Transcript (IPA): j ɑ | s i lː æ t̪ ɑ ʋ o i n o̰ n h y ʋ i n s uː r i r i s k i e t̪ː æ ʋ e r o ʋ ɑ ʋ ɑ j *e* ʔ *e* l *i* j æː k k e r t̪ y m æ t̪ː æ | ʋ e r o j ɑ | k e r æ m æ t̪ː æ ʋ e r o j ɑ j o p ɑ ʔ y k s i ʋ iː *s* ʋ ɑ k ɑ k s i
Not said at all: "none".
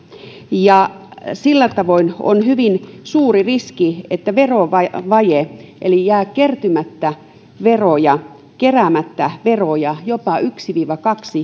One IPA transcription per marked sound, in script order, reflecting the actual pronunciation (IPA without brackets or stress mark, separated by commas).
e, e, i, none